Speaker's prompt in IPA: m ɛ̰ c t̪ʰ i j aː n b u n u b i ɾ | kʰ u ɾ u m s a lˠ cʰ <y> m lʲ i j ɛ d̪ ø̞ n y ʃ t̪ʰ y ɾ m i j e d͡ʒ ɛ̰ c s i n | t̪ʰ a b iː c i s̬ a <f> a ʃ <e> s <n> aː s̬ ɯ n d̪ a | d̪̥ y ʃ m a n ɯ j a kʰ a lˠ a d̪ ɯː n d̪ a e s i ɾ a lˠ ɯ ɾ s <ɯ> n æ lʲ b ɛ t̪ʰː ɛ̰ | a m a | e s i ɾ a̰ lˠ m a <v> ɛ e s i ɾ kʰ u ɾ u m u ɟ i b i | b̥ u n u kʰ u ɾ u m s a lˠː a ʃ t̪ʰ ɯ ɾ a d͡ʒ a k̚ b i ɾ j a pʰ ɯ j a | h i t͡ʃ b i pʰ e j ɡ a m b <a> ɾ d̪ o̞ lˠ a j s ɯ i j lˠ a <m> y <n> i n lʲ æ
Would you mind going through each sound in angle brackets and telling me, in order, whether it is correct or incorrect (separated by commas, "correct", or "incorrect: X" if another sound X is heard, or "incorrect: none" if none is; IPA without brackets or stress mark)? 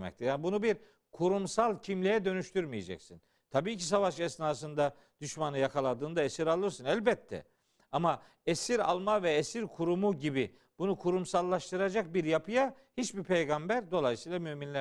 incorrect: i, incorrect: v, incorrect: ɛ, correct, correct, correct, incorrect: æ, correct, incorrect: m